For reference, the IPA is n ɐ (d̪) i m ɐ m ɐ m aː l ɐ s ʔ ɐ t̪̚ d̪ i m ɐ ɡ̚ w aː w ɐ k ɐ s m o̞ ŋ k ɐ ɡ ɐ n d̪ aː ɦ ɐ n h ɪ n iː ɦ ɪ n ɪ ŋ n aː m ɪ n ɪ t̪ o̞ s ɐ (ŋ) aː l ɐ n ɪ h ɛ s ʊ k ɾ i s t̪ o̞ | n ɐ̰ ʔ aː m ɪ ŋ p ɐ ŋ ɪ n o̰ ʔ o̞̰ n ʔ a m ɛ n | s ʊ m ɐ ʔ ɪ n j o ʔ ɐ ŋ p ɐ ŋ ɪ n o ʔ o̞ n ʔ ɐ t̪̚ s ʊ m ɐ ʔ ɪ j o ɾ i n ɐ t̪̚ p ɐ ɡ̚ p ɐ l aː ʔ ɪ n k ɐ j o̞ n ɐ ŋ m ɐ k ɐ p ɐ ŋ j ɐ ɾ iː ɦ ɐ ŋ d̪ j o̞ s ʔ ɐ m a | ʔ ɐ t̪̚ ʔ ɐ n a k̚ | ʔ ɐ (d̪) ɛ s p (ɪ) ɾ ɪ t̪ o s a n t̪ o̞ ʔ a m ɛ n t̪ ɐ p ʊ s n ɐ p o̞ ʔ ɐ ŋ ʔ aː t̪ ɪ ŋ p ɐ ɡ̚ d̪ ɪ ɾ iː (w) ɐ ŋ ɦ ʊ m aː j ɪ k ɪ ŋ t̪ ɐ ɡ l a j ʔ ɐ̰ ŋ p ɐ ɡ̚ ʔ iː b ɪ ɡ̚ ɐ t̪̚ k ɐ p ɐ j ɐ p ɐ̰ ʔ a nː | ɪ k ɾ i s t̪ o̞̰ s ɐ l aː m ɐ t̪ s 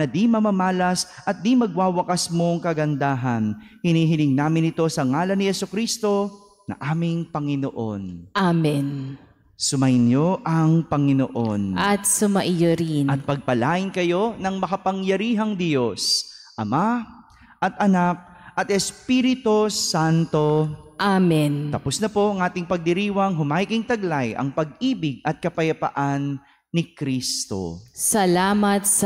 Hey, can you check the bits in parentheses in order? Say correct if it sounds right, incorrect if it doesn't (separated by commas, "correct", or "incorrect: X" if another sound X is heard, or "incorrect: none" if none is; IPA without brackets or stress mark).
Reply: correct, correct, incorrect: t̪, incorrect: i, correct